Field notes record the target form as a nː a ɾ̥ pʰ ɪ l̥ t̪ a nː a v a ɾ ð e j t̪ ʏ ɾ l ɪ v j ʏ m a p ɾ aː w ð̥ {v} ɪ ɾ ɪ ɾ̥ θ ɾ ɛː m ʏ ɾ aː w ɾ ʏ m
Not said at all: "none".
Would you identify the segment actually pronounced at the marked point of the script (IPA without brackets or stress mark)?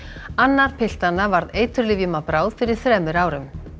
f